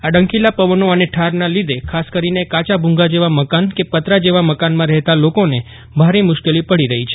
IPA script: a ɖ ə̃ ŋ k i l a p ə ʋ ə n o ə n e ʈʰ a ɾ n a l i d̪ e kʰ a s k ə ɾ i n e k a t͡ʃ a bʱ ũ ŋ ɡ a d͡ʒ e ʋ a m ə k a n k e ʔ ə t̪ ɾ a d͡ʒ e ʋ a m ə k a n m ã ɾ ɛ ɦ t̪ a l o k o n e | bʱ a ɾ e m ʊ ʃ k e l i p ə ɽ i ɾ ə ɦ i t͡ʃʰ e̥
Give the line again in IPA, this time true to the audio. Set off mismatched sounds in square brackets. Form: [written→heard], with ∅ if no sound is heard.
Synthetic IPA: a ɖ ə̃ ŋ k i l a p ə ʋ ə n o ə n e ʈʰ a ɾ n a l i d̪ e kʰ a s k ə ɾ i n e k a t͡ʃ a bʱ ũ ŋ ɡ a d͡ʒ e ʋ a m ə k a n k e [ʔ→p] ə t̪ ɾ a d͡ʒ e ʋ a m ə k a n m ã ɾ ɛ ɦ t̪ a l o k o n e | bʱ a ɾ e m ʊ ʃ k e l i p ə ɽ i ɾ ə ɦ i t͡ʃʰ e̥